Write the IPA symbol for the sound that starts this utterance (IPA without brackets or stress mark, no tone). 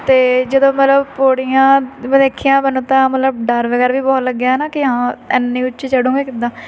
t̪